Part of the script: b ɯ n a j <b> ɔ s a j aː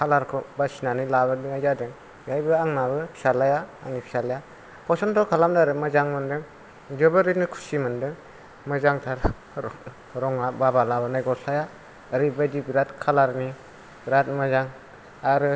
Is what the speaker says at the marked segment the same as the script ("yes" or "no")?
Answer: no